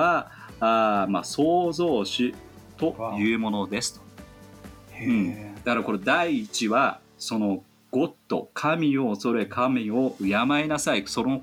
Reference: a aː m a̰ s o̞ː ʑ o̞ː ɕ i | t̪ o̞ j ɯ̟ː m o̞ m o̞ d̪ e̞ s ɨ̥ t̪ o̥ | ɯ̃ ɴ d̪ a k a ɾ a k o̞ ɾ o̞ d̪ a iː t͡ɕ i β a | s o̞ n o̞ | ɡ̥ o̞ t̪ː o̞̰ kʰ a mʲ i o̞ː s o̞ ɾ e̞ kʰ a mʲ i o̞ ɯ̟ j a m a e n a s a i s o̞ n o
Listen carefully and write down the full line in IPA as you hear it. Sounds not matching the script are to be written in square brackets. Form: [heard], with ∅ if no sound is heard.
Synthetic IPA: a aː m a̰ s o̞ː [z] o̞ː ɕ i | t̪ o̞ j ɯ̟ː m o̞ [n] o̞ d̪ e̞ s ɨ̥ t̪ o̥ | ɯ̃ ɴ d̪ a k a ɾ a k o̞ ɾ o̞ d̪ a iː t͡ɕ i β a | s o̞ n o̞ | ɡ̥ o̞ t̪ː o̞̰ kʰ a mʲ i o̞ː s o̞ ɾ e̞ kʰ a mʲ i o̞ ɯ̟ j a m a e n a s a i s o̞ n o